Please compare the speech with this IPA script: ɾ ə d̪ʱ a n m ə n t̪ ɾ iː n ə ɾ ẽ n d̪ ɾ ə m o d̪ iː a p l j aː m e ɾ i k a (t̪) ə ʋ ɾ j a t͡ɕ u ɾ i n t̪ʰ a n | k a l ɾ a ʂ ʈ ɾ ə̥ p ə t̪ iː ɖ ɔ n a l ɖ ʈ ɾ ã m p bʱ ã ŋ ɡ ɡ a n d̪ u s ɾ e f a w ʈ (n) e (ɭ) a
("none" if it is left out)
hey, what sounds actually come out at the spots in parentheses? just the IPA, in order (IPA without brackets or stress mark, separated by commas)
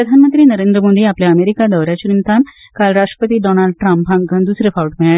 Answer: d̪, m, ɭ